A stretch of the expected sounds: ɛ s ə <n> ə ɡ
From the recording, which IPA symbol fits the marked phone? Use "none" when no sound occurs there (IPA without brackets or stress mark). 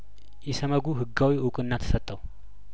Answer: m